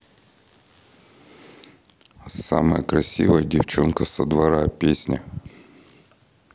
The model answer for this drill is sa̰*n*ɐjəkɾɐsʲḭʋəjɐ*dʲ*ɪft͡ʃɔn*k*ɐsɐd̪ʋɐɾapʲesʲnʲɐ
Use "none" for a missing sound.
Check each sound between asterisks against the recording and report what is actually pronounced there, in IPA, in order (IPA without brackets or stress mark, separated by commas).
m, dʲ, k